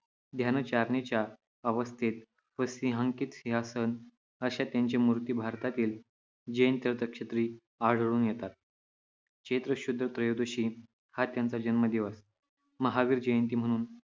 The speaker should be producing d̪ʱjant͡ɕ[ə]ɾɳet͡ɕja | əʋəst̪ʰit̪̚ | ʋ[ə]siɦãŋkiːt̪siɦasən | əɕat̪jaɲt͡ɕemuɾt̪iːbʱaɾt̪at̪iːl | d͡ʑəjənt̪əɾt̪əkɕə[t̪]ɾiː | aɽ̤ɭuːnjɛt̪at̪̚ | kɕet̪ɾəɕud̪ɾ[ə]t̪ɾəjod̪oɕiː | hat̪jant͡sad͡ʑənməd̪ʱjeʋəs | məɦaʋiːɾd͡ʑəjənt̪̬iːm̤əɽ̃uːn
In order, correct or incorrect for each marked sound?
incorrect, correct, correct, correct

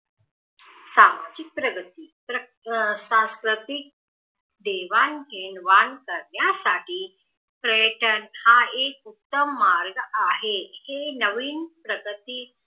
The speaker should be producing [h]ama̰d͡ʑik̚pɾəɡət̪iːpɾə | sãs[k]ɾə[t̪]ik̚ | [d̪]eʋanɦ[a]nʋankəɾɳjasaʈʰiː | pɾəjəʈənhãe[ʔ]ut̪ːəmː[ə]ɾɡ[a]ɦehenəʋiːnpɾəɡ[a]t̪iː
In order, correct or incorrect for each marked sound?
incorrect, correct, correct, correct, incorrect, incorrect, incorrect, correct, incorrect

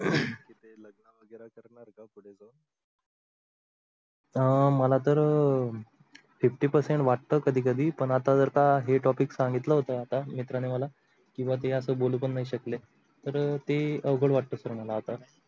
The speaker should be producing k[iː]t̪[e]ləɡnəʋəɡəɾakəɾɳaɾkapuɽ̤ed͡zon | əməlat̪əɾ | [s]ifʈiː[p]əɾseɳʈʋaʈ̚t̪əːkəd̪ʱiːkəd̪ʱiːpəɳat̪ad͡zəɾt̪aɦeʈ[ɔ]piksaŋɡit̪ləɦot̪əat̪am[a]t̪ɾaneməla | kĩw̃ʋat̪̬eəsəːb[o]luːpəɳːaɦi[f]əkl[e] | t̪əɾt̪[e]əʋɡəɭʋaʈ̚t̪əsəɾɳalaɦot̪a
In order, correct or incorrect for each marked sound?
incorrect, correct, incorrect, correct, correct, incorrect, correct, incorrect, correct, correct

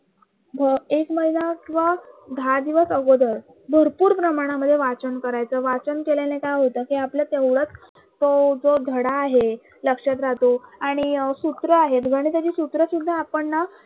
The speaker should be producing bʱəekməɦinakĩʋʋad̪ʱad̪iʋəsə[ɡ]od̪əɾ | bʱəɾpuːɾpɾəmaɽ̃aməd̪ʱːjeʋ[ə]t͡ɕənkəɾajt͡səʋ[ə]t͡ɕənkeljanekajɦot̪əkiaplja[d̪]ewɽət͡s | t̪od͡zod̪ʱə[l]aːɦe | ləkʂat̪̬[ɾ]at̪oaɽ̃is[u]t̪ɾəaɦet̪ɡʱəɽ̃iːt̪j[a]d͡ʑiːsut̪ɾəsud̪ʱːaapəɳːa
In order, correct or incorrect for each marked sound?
correct, incorrect, incorrect, incorrect, incorrect, correct, correct, correct

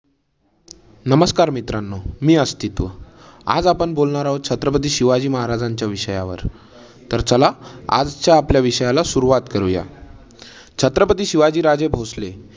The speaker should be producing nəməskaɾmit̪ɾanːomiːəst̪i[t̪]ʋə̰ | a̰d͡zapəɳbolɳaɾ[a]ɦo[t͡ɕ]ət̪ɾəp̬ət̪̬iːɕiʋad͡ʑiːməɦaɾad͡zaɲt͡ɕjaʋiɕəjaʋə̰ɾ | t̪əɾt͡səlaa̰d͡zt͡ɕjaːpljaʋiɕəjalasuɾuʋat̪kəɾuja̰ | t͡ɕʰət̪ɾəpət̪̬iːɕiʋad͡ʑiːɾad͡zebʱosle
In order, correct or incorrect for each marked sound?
correct, correct, incorrect

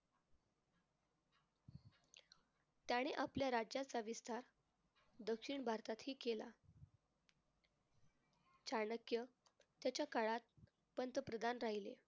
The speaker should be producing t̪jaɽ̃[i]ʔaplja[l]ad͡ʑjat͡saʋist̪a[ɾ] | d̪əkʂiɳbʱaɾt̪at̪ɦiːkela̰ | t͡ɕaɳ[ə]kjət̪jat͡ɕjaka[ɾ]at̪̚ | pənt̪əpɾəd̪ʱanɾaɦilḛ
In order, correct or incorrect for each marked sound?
incorrect, incorrect, correct, correct, incorrect

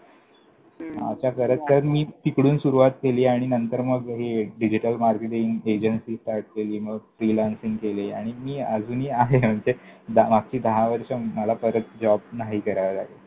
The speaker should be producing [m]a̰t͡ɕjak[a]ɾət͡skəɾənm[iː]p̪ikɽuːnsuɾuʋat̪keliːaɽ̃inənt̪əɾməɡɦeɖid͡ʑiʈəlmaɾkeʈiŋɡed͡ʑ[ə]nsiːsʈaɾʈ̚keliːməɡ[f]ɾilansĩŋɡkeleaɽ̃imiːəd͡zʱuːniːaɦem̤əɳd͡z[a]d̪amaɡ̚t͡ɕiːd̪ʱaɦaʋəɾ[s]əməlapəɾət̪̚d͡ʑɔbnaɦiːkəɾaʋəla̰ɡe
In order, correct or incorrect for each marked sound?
correct, incorrect, correct, correct, correct, incorrect, incorrect

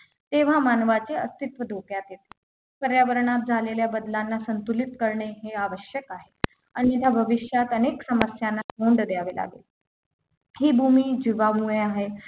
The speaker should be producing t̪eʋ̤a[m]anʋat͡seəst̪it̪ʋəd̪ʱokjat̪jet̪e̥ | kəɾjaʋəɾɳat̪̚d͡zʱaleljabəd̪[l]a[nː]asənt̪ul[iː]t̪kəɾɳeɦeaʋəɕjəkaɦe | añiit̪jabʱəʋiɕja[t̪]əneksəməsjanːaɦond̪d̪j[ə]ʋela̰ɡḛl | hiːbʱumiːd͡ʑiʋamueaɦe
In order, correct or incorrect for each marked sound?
correct, correct, correct, incorrect, correct, incorrect

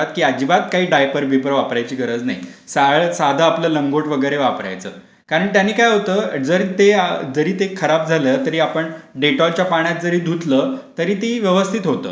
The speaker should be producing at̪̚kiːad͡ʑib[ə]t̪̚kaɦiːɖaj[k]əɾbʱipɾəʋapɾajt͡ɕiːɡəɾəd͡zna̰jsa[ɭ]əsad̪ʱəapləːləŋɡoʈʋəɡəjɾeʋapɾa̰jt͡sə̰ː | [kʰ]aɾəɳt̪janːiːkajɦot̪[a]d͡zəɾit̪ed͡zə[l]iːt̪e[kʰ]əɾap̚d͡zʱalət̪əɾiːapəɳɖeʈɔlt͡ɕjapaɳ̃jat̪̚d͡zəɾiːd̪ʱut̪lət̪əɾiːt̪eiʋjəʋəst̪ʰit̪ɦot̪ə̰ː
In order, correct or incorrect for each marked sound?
incorrect, incorrect, correct, incorrect, incorrect, incorrect, correct

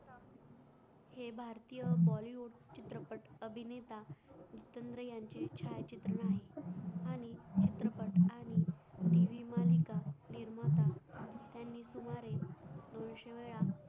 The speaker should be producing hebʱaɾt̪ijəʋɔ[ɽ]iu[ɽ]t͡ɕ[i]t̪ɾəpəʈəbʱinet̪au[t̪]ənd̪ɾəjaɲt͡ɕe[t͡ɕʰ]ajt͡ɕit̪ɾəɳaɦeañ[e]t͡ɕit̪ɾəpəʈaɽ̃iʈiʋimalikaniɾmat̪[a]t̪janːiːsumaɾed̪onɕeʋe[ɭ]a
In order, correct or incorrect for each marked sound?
incorrect, correct, correct, correct, correct, incorrect, correct, correct

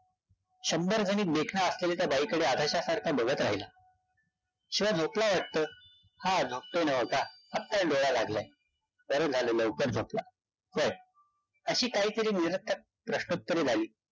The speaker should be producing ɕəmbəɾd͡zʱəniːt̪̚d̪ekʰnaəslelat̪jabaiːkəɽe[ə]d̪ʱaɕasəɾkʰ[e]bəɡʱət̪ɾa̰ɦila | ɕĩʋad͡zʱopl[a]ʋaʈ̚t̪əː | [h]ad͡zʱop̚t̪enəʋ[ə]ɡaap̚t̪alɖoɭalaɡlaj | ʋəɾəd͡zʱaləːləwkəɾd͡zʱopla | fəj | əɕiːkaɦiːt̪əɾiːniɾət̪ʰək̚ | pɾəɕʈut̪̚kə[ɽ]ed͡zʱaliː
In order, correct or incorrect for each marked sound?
incorrect, incorrect, correct, correct, correct, incorrect

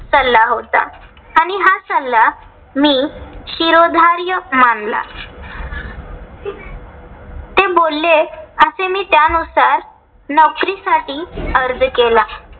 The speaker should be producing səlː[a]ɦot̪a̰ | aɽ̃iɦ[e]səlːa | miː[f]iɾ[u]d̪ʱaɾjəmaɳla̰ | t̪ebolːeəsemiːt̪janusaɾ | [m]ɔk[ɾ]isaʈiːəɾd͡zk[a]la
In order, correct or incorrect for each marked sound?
correct, incorrect, incorrect, incorrect, incorrect, correct, incorrect

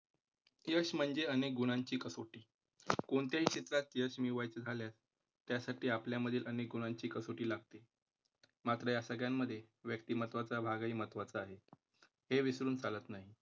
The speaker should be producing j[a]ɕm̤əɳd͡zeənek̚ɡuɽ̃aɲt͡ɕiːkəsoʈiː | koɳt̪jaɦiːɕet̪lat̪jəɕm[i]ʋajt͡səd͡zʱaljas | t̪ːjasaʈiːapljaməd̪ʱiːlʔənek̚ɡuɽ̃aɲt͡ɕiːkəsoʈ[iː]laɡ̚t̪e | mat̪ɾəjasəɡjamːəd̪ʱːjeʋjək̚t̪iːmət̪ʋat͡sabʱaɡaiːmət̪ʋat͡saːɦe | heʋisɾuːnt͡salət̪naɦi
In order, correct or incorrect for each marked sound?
incorrect, correct, correct

